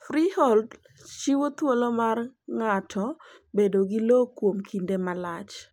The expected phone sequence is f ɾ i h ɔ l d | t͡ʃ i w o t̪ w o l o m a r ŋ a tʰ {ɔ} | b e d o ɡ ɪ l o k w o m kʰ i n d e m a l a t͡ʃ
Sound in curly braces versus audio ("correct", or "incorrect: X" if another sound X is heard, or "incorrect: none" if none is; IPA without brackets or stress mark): correct